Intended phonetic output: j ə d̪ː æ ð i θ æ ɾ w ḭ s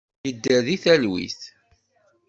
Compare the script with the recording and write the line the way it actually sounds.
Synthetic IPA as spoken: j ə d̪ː æ ð i θ æ l w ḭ θ